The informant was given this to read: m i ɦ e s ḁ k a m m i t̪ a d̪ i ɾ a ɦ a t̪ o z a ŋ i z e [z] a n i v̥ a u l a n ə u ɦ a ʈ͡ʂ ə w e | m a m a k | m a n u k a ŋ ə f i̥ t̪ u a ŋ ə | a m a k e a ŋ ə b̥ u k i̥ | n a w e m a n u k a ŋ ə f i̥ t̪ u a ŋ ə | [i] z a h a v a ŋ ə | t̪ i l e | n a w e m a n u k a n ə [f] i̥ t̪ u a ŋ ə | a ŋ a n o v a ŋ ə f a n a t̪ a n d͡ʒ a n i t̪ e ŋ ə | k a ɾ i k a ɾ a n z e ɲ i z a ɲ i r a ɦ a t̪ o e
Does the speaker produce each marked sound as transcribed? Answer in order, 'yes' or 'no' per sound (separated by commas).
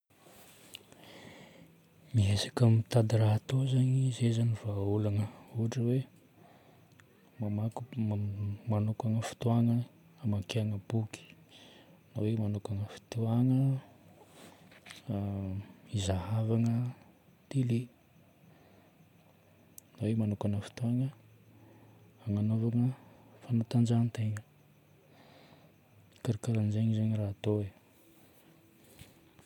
yes, yes, yes